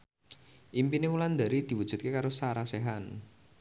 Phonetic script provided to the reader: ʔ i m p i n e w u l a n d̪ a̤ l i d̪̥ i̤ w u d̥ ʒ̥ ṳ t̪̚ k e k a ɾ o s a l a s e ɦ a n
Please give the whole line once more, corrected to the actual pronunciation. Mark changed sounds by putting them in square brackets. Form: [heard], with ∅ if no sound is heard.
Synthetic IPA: ʔ i m p i n e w u l a n d̪ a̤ [ɾ] i d̪̥ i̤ w u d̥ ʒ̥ ṳ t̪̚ k e k a ɾ o s a [ɾ] a s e ɦ a n